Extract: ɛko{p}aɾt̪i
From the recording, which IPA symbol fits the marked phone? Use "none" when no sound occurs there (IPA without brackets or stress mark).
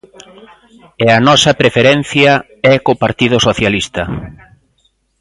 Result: p